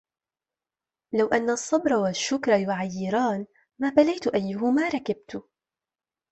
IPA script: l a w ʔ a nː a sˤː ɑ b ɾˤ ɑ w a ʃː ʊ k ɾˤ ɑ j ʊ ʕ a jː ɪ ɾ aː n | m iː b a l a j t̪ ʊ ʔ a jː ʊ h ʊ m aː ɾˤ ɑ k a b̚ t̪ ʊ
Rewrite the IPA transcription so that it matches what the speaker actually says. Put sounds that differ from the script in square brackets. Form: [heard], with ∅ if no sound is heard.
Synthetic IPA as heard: l a w ʔ a nː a sˤː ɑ b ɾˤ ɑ w a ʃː ʊ k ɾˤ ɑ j ʊ ʕ a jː ɪ ɾ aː n | m [aː] b a l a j t̪ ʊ ʔ a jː ʊ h ʊ m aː ɾˤ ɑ k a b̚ t̪ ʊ